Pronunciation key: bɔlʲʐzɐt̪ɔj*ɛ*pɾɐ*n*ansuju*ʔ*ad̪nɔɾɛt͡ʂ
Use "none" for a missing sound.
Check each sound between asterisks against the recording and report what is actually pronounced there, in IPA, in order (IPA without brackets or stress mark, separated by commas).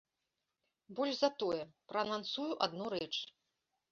ɛ, n, ʔ